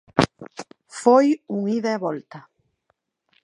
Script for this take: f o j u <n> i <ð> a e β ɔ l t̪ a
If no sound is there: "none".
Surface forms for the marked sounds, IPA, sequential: ŋ, ð

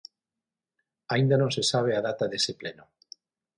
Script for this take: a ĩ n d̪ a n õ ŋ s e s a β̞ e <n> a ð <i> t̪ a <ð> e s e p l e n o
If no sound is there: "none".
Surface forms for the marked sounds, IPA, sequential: none, a, ð

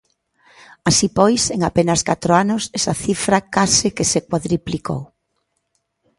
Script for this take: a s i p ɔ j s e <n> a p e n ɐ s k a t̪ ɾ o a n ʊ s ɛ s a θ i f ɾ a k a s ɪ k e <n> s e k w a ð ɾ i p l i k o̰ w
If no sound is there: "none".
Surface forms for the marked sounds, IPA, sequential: ŋ, none

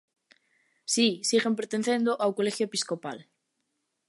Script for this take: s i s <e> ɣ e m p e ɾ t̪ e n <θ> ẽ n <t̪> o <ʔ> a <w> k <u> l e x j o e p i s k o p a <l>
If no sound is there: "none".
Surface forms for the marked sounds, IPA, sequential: i, θ, d̪, ʔ, w, o, l

